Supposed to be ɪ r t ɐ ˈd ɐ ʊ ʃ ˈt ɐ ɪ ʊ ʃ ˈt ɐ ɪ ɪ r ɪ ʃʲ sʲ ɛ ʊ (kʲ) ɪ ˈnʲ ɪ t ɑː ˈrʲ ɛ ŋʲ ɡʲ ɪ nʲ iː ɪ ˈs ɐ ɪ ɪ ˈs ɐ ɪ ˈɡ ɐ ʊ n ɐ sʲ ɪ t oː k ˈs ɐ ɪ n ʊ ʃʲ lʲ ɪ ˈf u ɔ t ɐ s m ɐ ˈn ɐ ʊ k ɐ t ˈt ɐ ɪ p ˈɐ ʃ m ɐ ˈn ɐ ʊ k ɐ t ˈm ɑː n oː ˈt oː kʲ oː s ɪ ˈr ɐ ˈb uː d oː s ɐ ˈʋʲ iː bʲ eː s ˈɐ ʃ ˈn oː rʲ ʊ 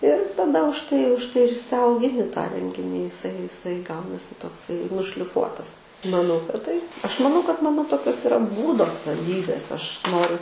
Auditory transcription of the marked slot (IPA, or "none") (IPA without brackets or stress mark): ɡʲ